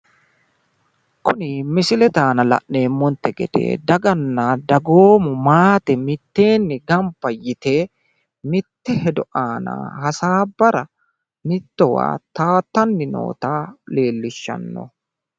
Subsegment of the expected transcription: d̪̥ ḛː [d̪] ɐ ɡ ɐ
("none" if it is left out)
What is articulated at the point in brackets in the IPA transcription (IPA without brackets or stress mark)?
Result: d̪